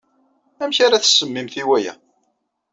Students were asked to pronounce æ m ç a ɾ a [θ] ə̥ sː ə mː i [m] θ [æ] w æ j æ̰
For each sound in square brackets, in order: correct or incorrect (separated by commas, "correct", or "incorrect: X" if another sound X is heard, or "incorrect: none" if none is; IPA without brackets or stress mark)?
correct, correct, incorrect: i